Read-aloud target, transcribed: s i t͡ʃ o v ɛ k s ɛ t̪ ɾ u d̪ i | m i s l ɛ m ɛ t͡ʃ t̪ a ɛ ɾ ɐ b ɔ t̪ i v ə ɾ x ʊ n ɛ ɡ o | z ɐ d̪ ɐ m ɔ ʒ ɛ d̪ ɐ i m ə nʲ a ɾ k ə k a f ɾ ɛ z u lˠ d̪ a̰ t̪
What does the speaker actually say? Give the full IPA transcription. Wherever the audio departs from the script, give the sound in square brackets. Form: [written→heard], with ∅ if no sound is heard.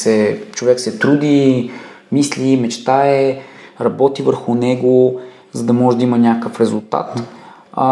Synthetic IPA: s [i→ɛ] t͡ʃ o v ɛ k s ɛ t̪ ɾ u d̪ i | m i s l [ɛ→i] m ɛ t͡ʃ t̪ a ɛ ɾ ɐ b ɔ t̪ i v ə ɾ x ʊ n ɛ ɡ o | z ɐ d̪ ɐ m ɔ ʒ ɛ d̪ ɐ i m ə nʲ a [ɾ→∅] k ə k [a→ə] f ɾ ɛ z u lˠ [d̪→t̪] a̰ t̪